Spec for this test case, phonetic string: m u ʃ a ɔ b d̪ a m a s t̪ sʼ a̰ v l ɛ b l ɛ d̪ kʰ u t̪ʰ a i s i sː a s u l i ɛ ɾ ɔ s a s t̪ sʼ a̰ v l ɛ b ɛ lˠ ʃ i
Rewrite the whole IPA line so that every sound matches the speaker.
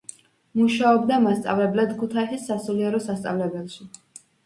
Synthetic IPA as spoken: m u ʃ a ɔ b d̪ a m a s t̪ sʼ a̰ v l ɛ b l ɛ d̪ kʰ u t̪ʰ a i s i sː a s u l i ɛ ɾ ɔ s a s t̪ sʼ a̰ v l ɛ b ɛ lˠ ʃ i